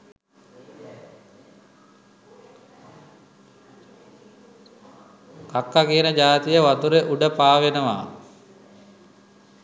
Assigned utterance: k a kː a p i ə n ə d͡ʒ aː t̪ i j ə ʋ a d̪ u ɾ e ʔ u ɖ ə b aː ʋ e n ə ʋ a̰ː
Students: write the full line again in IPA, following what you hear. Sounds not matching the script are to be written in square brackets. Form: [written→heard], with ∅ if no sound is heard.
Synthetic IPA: k a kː a [p→k] i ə n ə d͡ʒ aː t̪ i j ə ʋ a [d̪→t̪] u ɾ e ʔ u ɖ ə [b→p] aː ʋ e n ə ʋ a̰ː